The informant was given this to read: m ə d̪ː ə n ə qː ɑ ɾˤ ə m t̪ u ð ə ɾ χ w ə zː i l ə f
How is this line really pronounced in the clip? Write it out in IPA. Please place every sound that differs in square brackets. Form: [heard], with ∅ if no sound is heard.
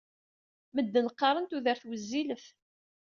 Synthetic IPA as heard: m ə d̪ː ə n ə qː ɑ ɾˤ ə [n] t̪ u ð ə ɾ [θ] w ə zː i l ə f